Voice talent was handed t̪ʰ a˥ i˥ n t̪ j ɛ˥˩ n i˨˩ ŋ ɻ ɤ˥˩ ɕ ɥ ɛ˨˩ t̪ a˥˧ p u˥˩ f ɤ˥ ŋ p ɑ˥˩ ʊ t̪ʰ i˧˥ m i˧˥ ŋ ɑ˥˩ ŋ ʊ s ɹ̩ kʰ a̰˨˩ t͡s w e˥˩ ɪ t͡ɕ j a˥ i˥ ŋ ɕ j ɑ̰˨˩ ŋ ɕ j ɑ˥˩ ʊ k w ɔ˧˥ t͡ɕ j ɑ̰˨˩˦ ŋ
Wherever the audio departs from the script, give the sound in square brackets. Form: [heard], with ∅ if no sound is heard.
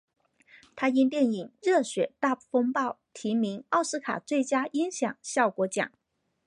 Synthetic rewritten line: t̪ʰ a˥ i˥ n t̪ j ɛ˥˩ n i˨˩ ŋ ɻ ɤ˥˩ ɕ ɥ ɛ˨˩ t̪ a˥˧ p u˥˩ f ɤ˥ ŋ p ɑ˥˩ ʊ t̪ʰ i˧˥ m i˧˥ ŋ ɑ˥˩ [∅] ʊ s ɹ̩ kʰ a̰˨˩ t͡s w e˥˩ ɪ t͡ɕ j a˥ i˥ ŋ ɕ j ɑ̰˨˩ ŋ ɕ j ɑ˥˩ ʊ k w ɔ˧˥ t͡ɕ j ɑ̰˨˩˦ ŋ